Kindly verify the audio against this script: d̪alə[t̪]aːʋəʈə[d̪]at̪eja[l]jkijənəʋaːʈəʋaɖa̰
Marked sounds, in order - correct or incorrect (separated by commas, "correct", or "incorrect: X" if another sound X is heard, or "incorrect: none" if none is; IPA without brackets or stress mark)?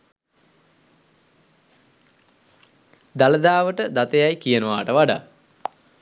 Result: incorrect: d̪, correct, incorrect: none